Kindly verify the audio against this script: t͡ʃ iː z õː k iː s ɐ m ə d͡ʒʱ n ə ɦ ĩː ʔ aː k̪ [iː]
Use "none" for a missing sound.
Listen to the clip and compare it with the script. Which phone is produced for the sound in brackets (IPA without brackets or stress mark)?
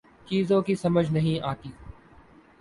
iː